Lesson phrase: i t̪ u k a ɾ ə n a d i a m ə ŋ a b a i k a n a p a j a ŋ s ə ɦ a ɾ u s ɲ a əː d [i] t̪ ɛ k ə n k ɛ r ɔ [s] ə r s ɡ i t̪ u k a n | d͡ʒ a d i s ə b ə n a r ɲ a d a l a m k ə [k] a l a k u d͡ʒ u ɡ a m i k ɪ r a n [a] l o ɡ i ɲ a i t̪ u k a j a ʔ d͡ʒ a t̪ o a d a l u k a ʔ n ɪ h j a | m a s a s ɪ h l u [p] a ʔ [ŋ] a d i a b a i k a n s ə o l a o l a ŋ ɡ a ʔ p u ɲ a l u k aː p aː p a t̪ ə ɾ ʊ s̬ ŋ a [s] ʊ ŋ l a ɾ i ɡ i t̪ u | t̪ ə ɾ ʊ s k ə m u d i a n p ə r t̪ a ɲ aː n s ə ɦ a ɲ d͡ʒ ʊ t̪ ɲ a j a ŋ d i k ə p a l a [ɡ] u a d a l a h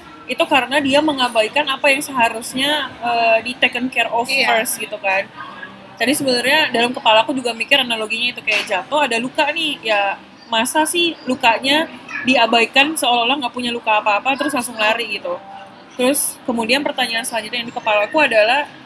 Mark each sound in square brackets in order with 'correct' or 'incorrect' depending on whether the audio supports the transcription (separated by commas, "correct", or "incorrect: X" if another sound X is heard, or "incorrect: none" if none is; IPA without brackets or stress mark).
correct, incorrect: f, incorrect: p, correct, incorrect: k, incorrect: ɲ, correct, incorrect: k